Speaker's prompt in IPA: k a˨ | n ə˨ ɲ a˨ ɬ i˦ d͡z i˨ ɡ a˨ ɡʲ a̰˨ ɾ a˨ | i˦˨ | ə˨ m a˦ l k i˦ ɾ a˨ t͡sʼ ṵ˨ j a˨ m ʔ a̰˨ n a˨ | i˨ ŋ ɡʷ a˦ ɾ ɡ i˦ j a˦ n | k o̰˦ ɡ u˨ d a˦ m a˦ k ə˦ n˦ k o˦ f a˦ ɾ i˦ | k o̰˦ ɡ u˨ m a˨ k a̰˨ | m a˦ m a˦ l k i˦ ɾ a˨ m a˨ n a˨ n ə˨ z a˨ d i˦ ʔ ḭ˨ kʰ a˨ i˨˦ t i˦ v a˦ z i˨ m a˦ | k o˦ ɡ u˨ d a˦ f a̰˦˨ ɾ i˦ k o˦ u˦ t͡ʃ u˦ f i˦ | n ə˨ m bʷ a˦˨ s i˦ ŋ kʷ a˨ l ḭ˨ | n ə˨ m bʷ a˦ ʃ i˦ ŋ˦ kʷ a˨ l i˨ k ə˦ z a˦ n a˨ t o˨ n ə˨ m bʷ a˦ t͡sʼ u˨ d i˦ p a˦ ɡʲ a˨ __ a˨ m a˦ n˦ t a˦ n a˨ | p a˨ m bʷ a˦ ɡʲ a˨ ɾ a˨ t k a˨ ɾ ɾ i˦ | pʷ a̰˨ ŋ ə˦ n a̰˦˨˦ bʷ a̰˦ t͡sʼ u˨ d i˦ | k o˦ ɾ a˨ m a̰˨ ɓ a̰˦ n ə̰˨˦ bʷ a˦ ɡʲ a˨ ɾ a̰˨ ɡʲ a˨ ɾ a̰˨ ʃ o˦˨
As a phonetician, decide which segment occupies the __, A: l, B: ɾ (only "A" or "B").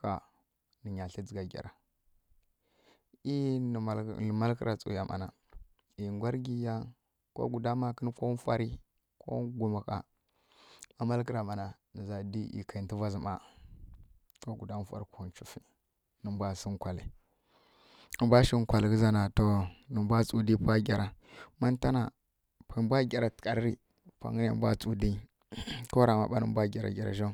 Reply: B